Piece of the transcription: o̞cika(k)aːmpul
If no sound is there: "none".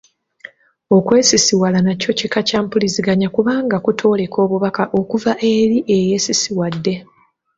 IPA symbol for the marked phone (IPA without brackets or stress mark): c